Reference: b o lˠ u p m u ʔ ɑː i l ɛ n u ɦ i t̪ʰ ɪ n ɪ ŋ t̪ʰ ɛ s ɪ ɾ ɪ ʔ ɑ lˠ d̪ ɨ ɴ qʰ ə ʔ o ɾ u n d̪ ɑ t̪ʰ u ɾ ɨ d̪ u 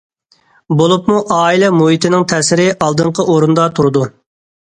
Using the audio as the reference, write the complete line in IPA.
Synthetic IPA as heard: b o lˠ u p m u ʔ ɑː i l ɛ m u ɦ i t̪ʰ ɪ n ɪ ŋ t̪ʰ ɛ s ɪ ɾ ɪ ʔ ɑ lˠ d̪ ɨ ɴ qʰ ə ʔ o ɾ u n d̪ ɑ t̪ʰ u ɾ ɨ d̪ u